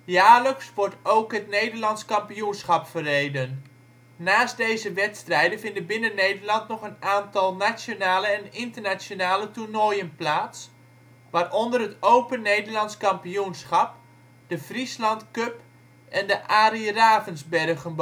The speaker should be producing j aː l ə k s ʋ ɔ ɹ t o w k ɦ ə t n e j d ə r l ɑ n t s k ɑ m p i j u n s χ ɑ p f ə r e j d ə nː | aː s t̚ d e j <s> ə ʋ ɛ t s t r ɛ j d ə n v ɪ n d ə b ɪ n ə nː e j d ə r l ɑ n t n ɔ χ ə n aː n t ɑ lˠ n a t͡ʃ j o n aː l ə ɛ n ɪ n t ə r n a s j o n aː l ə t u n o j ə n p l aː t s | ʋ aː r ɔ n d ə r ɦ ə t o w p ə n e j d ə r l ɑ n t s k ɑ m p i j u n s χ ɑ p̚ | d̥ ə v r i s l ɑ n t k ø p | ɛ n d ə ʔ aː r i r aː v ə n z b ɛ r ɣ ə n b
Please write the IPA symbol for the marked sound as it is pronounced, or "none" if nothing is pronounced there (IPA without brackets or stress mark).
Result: z